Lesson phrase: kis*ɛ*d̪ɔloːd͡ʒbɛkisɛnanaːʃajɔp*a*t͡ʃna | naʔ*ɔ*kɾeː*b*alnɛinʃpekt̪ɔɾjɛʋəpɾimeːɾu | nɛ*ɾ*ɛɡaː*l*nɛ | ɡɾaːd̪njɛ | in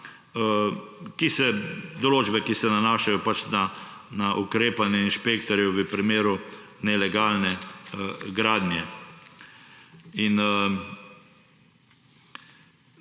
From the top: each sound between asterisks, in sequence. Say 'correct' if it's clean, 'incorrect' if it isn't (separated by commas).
correct, correct, incorrect, incorrect, incorrect, correct